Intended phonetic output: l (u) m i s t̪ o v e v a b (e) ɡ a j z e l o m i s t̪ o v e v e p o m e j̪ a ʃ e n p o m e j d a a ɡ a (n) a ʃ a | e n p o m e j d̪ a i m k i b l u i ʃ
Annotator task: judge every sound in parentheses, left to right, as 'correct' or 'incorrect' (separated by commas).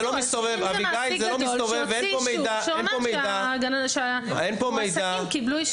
incorrect, incorrect, correct